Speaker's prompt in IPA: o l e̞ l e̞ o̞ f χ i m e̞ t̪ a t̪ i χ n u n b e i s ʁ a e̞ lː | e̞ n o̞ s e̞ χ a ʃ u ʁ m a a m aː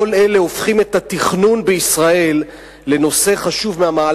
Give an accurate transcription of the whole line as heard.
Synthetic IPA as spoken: o l e̞ l e̞ o̞ f χ i m e̞ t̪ a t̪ i χ n u n b e i s ʁ a e̞ lː | e̞ n o̞ s e̞ χ a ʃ u v m e a m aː